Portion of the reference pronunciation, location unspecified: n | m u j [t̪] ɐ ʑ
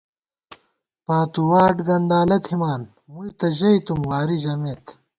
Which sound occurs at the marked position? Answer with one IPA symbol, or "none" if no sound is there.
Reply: t̪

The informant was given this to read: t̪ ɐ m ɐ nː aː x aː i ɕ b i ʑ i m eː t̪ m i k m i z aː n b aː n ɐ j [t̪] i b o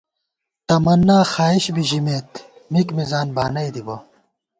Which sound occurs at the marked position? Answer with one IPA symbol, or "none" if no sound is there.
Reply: d̪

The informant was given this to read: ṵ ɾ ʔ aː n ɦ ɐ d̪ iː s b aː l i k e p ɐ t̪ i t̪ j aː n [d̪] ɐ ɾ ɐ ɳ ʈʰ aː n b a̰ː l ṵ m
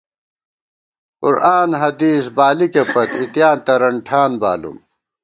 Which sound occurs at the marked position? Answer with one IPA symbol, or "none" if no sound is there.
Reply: t̪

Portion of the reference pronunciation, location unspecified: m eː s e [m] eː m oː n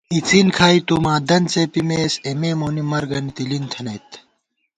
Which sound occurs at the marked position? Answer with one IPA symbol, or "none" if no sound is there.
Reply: m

